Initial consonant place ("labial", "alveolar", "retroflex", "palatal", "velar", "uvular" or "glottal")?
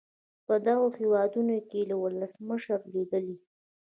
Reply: labial